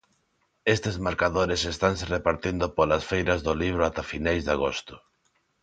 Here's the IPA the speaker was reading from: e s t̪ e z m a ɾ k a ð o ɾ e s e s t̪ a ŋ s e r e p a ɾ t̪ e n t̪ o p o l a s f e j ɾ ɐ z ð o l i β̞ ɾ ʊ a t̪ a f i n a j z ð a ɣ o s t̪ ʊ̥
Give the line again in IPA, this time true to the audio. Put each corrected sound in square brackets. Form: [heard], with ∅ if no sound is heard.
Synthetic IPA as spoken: e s t̪ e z m a ɾ k a ð o ɾ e s e s t̪ a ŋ s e r e p a ɾ t̪ [i] n [d̪] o p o l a s f e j ɾ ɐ z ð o l i β̞ ɾ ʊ a t̪ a f i n a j z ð a ɣ o s t̪ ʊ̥